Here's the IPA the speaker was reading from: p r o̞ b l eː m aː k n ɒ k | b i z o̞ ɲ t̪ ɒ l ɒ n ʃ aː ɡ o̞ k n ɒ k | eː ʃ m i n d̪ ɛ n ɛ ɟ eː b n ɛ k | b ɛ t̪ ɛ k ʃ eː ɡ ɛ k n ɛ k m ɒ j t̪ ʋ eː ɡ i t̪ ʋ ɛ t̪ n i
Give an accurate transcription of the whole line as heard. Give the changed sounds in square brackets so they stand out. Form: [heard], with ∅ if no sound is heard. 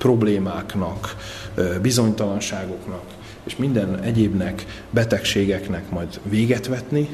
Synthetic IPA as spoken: p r o̞ b l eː m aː k n ɒ k | b i z o̞ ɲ t̪ ɒ l ɒ n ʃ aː ɡ o̞ k n ɒ k | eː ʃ m i n d̪ ɛ n ɛ ɟ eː b n ɛ k | b ɛ t̪ ɛ k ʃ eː ɡ ɛ k n ɛ k m ɒ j [d̪] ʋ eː ɡ [ɛ] t̪ ʋ ɛ t̪ n i